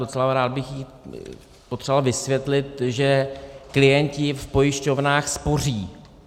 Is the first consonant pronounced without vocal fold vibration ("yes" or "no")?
yes